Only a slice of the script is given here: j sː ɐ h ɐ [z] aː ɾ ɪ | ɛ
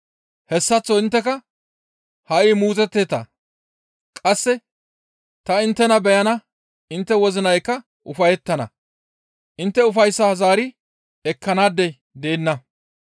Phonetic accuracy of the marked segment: correct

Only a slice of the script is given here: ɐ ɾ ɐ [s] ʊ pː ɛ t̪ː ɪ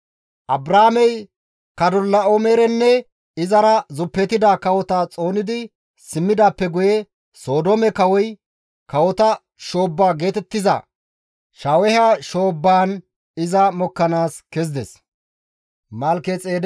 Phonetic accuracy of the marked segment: incorrect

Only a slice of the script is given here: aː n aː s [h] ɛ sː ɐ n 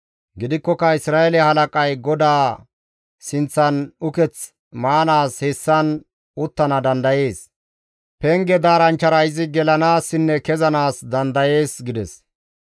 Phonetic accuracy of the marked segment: correct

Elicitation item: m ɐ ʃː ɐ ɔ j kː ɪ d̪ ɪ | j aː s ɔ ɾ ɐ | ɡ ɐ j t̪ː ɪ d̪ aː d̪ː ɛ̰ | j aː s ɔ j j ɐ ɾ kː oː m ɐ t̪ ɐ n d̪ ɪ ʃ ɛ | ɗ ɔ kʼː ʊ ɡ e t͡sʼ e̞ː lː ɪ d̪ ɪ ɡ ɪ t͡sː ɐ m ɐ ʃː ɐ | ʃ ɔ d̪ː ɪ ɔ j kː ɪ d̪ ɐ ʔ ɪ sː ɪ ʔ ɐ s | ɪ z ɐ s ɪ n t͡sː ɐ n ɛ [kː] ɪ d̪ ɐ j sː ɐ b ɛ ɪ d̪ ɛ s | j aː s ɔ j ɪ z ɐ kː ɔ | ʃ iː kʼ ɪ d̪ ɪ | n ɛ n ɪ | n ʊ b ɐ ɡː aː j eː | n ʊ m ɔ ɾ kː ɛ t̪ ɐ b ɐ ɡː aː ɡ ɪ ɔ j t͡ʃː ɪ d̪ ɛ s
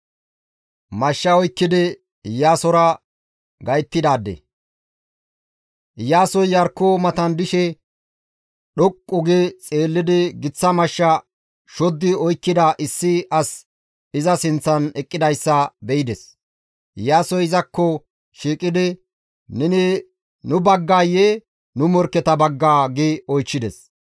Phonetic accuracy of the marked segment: incorrect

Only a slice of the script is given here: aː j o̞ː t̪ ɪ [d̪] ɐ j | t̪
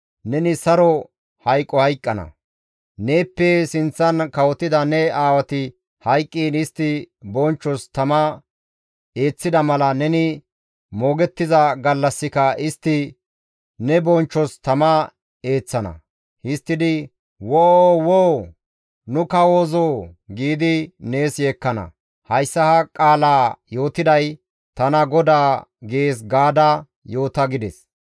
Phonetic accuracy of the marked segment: correct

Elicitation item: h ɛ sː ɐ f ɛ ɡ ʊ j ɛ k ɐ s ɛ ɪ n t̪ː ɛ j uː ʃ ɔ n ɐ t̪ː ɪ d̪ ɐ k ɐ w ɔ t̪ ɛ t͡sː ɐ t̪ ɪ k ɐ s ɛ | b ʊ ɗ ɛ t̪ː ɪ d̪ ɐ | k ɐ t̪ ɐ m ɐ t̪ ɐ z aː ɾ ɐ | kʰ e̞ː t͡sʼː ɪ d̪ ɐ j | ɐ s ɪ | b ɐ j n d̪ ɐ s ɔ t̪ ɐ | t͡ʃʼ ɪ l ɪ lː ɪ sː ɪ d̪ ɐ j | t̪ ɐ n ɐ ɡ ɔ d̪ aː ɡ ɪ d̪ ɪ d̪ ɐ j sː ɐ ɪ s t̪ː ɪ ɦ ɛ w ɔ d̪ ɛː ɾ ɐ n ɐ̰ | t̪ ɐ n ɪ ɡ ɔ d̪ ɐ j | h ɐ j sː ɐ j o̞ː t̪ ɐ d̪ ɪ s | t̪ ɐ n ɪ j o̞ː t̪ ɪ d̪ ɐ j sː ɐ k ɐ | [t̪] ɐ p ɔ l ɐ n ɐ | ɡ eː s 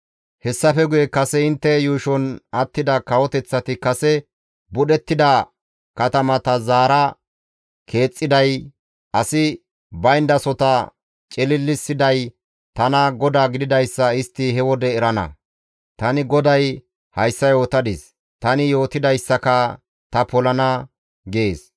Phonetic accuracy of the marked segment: correct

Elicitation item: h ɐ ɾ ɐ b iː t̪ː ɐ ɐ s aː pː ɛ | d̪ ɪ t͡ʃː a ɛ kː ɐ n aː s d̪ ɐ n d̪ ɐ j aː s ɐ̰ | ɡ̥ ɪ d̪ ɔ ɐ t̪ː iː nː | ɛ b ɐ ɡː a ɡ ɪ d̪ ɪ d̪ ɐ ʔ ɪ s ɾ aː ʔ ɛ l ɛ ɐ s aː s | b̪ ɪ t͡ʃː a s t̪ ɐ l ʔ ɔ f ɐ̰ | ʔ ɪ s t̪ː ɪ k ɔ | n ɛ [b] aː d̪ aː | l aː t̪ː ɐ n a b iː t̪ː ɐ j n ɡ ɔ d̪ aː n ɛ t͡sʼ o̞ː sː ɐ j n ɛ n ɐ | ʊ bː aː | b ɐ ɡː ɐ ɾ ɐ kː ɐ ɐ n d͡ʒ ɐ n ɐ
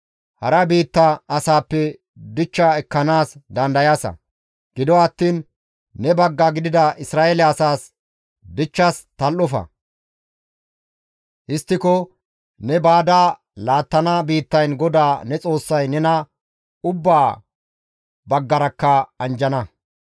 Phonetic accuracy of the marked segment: correct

